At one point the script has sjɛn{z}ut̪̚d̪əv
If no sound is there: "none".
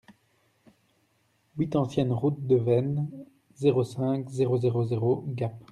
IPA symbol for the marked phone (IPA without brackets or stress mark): ʁ